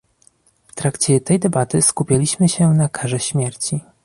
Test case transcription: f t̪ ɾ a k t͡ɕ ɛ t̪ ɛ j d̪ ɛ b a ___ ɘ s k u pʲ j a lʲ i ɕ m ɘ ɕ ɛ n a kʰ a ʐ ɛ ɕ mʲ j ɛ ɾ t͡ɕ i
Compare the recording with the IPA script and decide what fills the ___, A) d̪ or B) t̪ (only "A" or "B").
B